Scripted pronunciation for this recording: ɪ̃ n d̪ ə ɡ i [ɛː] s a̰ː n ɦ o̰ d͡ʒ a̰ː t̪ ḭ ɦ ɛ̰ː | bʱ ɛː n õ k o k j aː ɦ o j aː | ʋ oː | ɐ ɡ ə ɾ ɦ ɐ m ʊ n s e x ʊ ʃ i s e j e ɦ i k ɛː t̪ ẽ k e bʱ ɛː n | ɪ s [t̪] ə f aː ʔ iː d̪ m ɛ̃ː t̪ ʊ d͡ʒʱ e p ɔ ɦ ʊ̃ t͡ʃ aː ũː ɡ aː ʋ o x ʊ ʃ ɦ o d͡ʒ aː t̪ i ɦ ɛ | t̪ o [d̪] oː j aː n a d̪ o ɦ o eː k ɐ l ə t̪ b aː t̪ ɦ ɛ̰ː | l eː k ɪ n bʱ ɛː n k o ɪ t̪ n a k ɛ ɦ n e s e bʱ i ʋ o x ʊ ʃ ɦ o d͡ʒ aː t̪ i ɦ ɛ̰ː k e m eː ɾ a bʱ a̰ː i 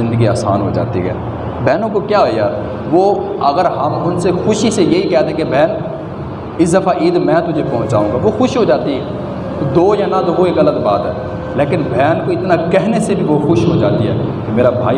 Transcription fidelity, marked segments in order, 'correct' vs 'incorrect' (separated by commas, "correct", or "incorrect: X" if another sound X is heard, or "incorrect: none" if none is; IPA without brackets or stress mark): incorrect: aː, incorrect: d̪, correct